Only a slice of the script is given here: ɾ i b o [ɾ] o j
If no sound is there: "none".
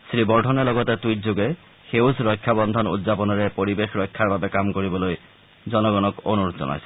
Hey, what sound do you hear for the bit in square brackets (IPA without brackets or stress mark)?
l